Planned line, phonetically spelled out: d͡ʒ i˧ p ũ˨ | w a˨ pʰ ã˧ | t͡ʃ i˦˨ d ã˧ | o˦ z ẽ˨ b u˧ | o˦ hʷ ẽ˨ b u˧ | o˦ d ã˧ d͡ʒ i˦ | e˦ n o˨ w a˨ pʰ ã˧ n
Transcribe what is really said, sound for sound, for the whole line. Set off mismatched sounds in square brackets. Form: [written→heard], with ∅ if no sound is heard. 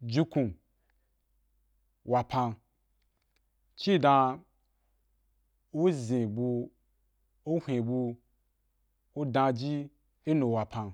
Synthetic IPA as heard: d͡ʒ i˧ [p→k] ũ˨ | w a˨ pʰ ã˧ | t͡ʃ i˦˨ d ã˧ | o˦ z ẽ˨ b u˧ | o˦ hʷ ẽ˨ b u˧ | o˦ d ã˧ d͡ʒ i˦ | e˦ n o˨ w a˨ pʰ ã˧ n